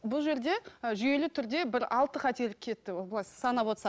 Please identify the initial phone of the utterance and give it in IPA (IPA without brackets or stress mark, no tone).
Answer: b